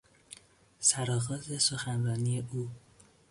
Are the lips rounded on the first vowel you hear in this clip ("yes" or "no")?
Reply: no